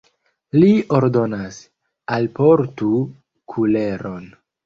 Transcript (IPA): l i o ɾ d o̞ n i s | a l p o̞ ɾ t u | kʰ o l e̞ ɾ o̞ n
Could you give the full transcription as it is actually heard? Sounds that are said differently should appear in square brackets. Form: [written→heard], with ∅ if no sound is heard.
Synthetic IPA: l i o ɾ d o̞ n [i→a] s | a l p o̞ ɾ t u | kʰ [o→u] l e̞ ɾ o̞ n